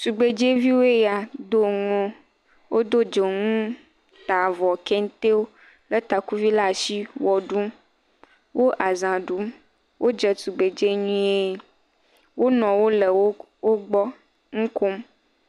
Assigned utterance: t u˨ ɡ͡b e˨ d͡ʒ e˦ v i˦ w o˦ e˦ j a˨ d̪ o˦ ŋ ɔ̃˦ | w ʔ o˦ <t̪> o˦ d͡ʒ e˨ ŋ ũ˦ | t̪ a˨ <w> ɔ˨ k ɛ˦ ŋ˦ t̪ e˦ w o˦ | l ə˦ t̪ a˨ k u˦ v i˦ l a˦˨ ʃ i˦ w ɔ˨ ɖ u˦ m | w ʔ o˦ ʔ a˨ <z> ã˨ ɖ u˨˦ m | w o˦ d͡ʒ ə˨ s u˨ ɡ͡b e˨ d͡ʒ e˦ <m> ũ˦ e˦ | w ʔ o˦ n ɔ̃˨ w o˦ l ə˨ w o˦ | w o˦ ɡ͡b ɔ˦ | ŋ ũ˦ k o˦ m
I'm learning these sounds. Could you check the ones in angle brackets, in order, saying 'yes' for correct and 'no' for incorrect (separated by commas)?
no, no, yes, no